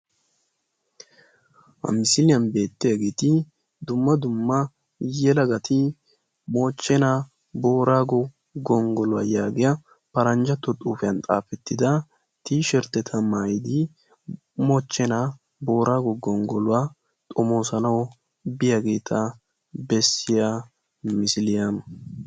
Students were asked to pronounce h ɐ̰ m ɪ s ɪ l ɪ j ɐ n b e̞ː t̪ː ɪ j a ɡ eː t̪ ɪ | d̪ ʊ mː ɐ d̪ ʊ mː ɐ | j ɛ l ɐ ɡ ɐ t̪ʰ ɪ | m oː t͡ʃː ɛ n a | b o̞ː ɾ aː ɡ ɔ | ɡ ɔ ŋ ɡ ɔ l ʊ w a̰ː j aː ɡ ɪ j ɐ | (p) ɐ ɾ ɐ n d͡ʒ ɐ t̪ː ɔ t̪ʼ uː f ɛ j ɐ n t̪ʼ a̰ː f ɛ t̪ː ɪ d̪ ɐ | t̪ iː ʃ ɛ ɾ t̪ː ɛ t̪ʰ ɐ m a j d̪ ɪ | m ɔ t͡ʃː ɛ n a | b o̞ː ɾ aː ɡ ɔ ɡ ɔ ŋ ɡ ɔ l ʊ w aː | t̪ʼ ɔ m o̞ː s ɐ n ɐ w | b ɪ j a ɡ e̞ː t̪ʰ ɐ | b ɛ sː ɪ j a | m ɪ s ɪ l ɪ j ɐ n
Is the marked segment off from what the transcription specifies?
no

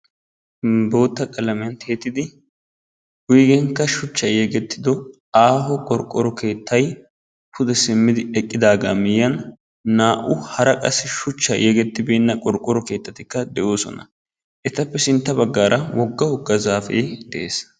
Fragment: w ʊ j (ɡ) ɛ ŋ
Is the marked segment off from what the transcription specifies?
no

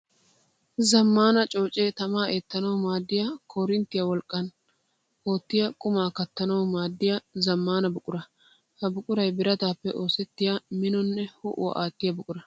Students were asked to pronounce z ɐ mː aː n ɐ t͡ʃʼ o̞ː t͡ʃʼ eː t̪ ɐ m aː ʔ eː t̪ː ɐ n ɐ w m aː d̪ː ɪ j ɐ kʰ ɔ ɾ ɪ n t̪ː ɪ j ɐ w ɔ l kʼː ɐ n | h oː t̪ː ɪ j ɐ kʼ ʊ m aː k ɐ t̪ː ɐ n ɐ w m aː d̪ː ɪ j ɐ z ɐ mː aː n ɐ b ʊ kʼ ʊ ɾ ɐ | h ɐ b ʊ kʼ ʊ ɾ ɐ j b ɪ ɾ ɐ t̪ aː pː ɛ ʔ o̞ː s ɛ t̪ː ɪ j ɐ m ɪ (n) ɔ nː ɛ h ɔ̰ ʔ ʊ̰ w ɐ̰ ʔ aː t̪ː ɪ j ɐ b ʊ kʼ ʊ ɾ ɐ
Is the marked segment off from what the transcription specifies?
no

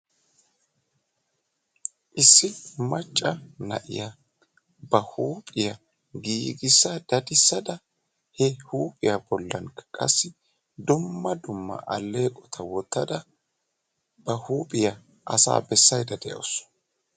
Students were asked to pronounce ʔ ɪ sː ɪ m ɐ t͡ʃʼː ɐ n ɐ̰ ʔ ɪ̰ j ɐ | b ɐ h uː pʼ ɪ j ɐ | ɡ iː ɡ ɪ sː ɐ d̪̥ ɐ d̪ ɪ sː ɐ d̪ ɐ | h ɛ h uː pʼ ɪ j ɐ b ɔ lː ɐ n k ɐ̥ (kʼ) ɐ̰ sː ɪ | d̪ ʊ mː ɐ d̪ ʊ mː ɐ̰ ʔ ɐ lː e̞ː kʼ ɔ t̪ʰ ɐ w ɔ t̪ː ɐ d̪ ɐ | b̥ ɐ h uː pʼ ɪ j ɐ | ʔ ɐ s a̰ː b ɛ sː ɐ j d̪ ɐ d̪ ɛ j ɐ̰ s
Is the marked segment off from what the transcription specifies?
no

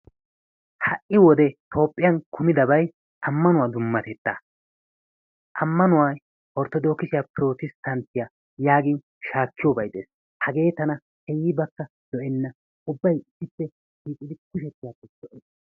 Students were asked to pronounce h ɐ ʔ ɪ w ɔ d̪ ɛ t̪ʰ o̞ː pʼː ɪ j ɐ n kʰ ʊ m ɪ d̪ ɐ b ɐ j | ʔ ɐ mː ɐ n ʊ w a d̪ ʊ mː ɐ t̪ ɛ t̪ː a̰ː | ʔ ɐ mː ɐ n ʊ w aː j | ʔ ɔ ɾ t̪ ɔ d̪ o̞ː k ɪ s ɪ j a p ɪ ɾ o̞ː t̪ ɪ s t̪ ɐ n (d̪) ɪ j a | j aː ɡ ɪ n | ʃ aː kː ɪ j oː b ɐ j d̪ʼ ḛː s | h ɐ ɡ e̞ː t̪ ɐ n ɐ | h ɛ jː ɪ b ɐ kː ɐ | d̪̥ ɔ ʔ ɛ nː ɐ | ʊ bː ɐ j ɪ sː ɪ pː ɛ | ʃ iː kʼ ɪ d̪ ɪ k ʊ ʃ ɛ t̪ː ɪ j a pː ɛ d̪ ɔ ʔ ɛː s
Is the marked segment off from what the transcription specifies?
yes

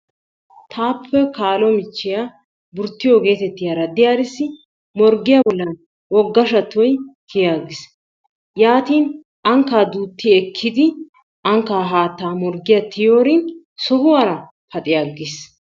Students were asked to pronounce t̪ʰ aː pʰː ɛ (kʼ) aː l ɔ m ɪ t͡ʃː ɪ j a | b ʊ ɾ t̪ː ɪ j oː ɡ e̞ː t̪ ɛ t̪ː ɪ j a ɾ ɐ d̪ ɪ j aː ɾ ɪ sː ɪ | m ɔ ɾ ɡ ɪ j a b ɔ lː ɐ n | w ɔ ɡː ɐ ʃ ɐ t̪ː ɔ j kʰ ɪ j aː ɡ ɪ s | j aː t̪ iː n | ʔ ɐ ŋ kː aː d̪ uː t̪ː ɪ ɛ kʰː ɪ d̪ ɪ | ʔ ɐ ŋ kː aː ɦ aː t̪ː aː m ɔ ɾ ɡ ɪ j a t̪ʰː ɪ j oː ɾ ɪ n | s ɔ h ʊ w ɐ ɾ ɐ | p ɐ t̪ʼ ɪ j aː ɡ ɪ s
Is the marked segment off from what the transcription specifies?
yes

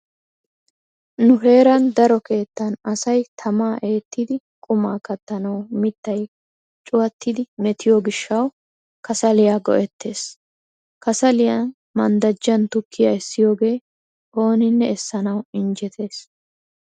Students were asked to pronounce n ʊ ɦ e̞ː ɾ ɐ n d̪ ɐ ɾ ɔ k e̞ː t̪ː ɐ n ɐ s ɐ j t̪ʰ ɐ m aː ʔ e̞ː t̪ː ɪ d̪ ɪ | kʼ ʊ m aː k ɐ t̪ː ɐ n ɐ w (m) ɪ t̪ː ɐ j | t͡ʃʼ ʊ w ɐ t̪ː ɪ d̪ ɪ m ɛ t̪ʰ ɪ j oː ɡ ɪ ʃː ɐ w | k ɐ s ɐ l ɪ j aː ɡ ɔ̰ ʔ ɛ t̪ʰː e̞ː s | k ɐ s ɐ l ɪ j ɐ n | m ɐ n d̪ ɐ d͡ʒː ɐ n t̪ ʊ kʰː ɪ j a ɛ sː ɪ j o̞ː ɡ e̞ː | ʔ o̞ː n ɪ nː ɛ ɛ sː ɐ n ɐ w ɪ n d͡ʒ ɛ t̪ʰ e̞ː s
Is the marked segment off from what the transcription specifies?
no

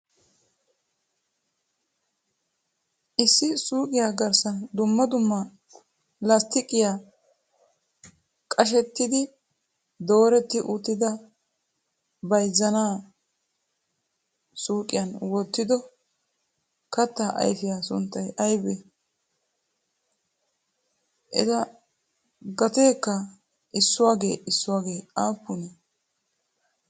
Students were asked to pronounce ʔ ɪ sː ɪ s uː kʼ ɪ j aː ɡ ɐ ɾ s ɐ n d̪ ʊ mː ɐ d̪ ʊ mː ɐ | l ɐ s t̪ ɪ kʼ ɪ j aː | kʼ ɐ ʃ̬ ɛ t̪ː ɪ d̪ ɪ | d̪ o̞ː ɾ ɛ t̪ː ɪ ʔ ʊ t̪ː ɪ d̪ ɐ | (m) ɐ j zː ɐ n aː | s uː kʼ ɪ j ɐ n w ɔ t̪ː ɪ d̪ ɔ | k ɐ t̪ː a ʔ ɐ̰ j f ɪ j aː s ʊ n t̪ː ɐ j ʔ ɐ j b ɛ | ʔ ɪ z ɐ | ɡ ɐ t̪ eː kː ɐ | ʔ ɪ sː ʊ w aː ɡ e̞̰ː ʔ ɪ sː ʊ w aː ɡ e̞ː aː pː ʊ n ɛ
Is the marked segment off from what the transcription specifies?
yes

